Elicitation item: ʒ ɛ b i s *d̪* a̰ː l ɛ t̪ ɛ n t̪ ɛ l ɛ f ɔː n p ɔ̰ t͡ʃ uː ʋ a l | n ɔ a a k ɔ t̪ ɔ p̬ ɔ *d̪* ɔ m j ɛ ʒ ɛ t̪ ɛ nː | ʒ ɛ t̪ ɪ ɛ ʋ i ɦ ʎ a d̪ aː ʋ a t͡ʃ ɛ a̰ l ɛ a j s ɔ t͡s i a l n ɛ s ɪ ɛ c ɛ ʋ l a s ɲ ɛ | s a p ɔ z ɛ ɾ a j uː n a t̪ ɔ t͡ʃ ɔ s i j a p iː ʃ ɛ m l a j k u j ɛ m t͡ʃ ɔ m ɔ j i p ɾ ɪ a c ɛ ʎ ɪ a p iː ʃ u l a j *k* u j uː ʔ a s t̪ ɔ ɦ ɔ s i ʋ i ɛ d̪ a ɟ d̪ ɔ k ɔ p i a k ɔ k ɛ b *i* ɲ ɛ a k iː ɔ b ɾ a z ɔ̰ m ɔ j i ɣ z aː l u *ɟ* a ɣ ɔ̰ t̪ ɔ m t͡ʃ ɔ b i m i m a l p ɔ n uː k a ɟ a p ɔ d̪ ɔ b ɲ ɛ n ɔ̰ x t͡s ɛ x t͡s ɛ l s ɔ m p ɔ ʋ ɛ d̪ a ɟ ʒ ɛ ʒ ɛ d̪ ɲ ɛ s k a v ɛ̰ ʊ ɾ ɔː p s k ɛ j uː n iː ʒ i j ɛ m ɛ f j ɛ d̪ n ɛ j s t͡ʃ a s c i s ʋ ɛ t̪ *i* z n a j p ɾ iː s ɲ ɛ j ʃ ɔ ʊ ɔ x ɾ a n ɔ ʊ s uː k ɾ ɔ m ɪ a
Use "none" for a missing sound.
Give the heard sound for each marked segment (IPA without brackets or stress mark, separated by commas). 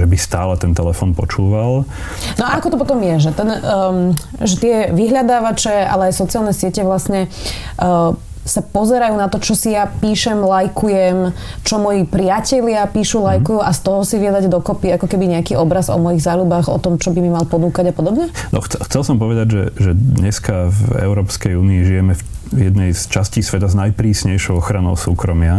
t̪, t̪, k, i, b, a